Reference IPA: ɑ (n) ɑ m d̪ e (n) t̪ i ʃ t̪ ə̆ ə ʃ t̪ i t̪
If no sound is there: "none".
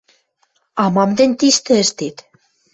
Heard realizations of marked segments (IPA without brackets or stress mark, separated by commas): m, n